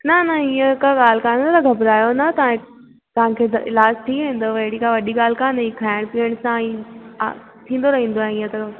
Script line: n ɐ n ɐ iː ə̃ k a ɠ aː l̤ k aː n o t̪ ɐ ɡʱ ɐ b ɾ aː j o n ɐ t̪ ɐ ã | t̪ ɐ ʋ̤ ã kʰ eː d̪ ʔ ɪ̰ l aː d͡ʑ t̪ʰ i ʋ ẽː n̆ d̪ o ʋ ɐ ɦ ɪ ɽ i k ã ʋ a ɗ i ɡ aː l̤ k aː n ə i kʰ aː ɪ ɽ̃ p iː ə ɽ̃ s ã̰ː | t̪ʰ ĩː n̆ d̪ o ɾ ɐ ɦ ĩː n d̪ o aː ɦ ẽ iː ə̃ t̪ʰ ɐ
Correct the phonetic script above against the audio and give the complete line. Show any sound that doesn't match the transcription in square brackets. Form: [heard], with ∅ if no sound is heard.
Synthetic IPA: n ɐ n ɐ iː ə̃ k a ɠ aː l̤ k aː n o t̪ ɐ ɡʱ ɐ b ɾ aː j o n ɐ t̪ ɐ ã | t̪ ɐ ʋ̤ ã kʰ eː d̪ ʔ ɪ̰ l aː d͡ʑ t̪ʰ i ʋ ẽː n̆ d̪ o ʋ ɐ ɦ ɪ ɽ i k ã ʋ [ɐ] ɗ i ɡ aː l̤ k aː n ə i kʰ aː ɪ ɽ̃ p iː ə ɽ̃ s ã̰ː | t̪ʰ ĩː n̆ d̪ o ɾ ɐ ɦ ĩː n d̪ o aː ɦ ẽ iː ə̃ [t̪] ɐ